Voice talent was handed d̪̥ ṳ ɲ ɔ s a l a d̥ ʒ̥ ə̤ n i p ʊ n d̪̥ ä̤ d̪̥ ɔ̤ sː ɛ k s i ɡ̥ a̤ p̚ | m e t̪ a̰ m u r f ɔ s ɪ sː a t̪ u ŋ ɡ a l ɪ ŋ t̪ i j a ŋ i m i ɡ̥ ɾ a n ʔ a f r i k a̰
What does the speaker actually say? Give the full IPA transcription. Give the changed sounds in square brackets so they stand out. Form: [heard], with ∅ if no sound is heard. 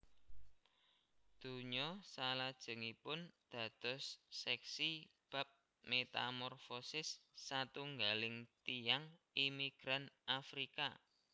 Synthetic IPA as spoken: d̪̥ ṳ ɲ ɔ s a l a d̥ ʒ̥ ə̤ [ŋ] i p ʊ n d̪̥ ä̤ d̪̥ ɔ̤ sː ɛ k s i [b̥] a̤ p̚ | m e t̪ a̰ m [ɔ] r f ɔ s ɪ sː a t̪ u ŋ ɡ a l ɪ ŋ t̪ i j a ŋ i m i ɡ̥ ɾ a n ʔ a f [ɾ] i k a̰